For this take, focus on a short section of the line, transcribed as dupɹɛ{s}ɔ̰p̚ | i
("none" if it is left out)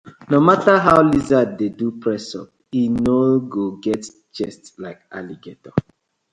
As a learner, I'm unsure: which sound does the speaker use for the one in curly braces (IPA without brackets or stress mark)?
s